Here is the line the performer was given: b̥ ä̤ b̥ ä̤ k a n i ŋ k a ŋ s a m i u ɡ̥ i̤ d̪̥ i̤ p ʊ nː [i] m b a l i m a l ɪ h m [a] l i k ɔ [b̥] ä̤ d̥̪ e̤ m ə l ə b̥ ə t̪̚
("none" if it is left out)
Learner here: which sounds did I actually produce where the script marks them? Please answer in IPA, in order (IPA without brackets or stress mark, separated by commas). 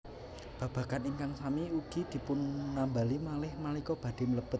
a, a, b̥